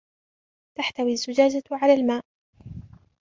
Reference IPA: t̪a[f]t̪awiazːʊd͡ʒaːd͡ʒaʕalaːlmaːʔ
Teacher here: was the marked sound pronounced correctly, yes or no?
no